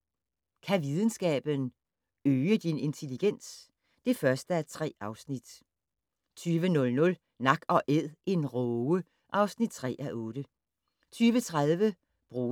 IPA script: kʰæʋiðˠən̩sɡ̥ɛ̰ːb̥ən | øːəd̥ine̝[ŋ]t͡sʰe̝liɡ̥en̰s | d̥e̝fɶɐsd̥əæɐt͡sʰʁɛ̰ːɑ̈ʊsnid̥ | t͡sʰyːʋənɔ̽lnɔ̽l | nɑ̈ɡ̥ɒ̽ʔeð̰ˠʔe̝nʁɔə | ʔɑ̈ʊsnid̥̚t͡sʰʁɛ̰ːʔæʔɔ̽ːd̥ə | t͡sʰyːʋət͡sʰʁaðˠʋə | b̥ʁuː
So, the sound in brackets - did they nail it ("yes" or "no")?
no